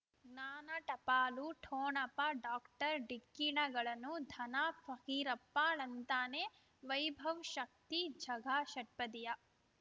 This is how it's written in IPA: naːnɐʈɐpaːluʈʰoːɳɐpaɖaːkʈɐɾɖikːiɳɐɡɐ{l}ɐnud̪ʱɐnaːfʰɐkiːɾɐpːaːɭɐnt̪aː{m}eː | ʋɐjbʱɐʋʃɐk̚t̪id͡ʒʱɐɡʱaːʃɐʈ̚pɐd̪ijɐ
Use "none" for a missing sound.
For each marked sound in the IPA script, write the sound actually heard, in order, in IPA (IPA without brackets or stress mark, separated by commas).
ɭ, n